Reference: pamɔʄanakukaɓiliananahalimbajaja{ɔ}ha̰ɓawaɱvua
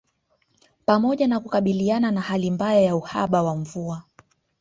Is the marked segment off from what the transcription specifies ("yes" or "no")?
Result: yes